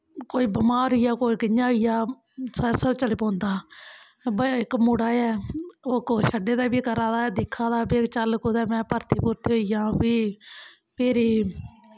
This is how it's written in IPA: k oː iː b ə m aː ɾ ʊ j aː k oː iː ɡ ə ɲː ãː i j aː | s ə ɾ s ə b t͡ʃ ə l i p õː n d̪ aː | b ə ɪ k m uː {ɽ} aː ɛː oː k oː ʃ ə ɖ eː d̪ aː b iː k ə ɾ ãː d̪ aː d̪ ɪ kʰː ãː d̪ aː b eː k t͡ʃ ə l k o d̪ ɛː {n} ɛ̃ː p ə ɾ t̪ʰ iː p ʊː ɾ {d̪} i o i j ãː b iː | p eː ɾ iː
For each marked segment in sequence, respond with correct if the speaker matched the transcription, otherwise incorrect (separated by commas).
correct, incorrect, incorrect